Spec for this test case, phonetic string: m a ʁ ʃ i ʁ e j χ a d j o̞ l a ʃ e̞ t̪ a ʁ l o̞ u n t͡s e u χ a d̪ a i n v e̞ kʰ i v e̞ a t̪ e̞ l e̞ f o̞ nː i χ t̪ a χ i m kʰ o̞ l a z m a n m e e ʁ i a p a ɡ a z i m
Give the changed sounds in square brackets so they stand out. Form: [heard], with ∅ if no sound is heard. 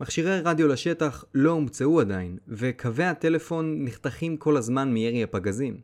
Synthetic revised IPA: m a [χ] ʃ i ʁ e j [ʁ] a d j o̞ l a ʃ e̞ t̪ a [χ] l o̞ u [m] t͡s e u [∅] a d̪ a i n v e̞ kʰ [a] v e̞ a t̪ e̞ l e̞ f o̞ nː i χ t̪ a χ i m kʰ o̞ l a z m a n m [i] e ʁ i a p a ɡ a z i m